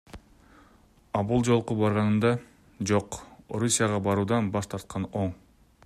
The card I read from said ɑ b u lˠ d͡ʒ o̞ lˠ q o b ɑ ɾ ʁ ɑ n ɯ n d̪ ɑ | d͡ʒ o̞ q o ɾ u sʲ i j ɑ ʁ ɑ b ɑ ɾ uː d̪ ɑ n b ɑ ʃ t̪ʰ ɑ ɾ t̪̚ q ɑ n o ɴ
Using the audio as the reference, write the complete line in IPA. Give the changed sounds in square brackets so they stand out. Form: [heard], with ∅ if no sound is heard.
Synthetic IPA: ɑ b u lˠ d͡ʒ o̞ lˠ q [u] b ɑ ɾ ʁ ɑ n ɯ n d̪ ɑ | d͡ʒ o̞ q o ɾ u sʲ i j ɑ ʁ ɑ b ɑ ɾ uː d̪ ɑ n b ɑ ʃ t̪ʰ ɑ ɾ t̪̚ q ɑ n o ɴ

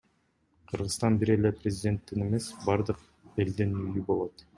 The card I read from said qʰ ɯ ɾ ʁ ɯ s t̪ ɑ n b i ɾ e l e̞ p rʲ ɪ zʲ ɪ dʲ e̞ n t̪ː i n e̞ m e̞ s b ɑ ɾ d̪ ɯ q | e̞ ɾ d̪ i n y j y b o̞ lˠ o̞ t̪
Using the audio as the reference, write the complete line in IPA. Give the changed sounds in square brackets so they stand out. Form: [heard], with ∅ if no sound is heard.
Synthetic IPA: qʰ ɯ ɾ ʁ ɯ s t̪ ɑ n b i ɾ e l e̞ p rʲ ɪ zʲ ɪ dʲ e̞ n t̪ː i n e̞ m e̞ s b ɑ ɾ d̪ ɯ q | e̞ [l] d̪ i n y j y b o̞ lˠ o̞ t̪

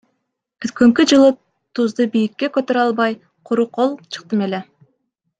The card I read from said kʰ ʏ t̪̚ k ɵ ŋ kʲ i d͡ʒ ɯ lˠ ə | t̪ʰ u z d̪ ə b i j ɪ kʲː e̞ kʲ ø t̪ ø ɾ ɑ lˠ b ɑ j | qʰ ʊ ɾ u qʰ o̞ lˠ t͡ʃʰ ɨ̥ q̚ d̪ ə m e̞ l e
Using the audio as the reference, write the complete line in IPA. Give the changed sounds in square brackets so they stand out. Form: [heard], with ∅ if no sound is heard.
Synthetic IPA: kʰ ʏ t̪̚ k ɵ ŋ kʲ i d͡ʒ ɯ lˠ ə | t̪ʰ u z d̪ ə b i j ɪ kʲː e̞ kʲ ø t̪ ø ɾ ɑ lˠ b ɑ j | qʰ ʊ ɾ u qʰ o̞ lˠ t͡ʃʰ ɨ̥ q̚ [t̪] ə m e̞ l e

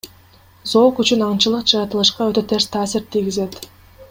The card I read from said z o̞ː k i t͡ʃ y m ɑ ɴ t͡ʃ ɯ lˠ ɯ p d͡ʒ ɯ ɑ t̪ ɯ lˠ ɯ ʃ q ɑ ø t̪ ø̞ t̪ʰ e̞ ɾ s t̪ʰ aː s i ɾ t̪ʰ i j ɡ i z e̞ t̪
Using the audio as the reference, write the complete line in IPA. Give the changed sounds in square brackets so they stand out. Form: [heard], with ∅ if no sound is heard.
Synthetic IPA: z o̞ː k [y] t͡ʃ y [n] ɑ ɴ t͡ʃ ɯ lˠ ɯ [q] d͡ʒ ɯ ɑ t̪ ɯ lˠ ɯ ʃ q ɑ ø t̪ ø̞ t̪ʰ e̞ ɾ s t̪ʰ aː s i ɾ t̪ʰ i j ɡ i z e̞ t̪

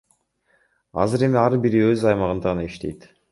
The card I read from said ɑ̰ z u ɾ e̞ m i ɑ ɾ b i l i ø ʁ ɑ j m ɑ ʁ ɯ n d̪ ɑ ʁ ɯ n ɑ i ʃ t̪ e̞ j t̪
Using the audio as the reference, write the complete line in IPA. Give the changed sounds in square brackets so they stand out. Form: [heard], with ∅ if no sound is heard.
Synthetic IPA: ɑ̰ z [ɯ] ɾ e̞ m i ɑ ɾ b i [ɾ] i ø [z] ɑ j m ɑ ʁ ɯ n d̪ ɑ ʁ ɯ n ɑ i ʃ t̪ e̞ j t̪

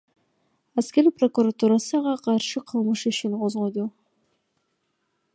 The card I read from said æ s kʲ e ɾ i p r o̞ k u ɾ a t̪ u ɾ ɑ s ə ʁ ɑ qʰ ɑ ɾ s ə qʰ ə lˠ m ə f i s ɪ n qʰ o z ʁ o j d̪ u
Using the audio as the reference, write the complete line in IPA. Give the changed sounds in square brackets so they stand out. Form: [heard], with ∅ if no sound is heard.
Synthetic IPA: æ s kʲ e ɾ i p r o̞ k u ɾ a t̪ u ɾ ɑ s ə ʁ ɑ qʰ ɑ ɾ [ʃ] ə qʰ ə lˠ m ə [ʃ] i [ʃ] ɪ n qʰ o z ʁ o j d̪ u

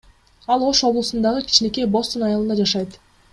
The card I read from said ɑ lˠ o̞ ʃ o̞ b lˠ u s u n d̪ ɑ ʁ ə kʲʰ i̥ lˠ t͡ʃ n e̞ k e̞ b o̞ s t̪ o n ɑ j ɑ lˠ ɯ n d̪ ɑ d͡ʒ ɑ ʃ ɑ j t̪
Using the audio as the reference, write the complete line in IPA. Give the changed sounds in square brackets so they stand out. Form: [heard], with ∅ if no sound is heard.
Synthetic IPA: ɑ lˠ o̞ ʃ o̞ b lˠ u s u n d̪ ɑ ʁ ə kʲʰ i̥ [∅] t͡ʃ n e̞ k e̞ b o̞ s t̪ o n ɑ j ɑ lˠ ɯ n d̪ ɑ d͡ʒ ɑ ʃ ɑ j t̪

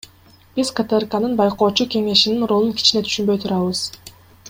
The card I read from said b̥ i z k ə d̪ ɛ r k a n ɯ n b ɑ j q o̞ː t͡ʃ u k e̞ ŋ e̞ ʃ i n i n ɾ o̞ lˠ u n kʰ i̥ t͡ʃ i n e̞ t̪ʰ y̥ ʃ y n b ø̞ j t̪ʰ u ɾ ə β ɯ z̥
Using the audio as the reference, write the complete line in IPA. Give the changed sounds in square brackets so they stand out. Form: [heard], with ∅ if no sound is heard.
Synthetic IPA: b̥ i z k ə [t̪] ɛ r k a n ɯ n b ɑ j q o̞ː t͡ʃ u k e̞ ŋ e̞ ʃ i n i n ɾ o̞ lˠ u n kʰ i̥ t͡ʃ i n e̞ t̪ʰ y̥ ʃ y n b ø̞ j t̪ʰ u ɾ [ɑ] β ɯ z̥

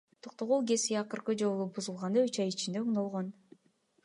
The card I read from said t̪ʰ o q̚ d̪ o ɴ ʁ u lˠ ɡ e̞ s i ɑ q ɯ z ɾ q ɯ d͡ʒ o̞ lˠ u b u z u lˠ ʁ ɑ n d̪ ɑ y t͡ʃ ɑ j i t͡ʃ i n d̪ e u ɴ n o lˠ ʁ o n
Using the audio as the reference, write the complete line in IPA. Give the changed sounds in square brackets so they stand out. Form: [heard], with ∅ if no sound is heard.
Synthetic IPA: t̪ʰ o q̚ [t̪] o [∅] ʁ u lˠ ɡ e̞ s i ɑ q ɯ [∅] ɾ q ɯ d͡ʒ o̞ lˠ u b u z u lˠ ʁ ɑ n d̪ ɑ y t͡ʃ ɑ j i t͡ʃ i n d̪ e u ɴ n o lˠ ʁ o n

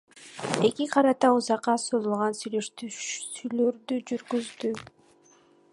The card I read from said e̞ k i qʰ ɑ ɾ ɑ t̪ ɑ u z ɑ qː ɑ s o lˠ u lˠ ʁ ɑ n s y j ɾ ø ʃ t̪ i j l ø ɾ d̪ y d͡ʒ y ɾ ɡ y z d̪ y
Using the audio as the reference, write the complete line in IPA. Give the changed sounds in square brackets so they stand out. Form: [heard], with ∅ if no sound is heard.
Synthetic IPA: e̞ k i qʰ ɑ ɾ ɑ t̪ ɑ u z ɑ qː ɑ s o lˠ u lˠ ʁ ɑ n s y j [l] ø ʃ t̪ [y] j l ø ɾ d̪ y d͡ʒ y ɾ ɡ y z d̪ y

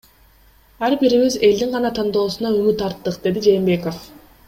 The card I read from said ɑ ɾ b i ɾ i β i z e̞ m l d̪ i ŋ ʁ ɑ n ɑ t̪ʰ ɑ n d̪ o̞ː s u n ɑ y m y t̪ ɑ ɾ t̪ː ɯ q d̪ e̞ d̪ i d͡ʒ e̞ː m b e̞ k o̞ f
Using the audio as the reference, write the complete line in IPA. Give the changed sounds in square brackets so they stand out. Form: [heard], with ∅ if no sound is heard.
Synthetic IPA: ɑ ɾ b i ɾ i β i z e̞ [∅] l d̪ i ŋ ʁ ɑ n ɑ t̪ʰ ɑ n d̪ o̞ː s u n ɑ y m y t̪ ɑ ɾ t̪ː ɯ q d̪ e̞ d̪ i d͡ʒ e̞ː m b e̞ k o̞ f

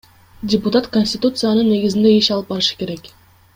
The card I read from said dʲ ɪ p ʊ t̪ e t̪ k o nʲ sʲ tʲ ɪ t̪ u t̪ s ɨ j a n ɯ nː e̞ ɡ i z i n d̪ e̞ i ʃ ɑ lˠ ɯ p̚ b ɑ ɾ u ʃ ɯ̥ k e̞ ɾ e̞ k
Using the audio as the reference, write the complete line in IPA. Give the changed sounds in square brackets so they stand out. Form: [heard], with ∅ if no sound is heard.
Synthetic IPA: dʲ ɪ p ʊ t̪ [a] t̪ k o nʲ sʲ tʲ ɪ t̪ u t̪ s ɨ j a n ɯ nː e̞ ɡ i z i n d̪ e̞ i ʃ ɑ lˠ ɯ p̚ b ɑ ɾ [ɯ] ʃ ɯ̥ k e̞ ɾ e̞ k

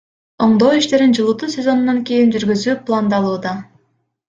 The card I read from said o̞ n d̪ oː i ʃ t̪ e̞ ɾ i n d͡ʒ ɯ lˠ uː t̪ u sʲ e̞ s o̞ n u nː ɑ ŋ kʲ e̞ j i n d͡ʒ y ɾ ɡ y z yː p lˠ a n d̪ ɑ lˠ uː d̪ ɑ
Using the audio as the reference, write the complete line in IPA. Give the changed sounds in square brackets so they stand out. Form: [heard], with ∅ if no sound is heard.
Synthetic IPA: o̞ [ɴ] d̪ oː i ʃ t̪ e̞ ɾ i n d͡ʒ ɯ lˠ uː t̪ u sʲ e̞ [z] o̞ n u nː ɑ ŋ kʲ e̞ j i n d͡ʒ y ɾ ɡ y z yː p lˠ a n d̪ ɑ lˠ uː d̪ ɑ

